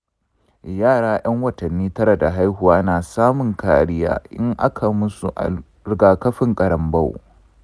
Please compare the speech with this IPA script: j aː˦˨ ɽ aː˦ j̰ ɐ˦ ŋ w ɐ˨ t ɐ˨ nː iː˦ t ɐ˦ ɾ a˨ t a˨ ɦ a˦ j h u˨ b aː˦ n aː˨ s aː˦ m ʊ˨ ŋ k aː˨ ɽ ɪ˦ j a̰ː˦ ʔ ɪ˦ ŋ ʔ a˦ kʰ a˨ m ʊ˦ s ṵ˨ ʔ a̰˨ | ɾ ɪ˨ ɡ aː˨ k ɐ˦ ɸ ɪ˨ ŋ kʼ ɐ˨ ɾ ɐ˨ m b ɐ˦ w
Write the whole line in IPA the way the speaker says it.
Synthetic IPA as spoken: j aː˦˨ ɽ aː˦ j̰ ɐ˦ ŋ w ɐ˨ t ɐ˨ nː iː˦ t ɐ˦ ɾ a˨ d a˨ ɦ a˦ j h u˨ w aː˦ n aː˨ s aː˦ m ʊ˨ ŋ k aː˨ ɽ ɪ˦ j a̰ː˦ ʔ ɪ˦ ŋ ʔ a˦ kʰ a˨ m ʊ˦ s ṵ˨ ʔ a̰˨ | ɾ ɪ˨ ɡ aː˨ k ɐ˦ ɸ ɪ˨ ŋ kʼ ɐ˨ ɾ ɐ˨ m b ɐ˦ w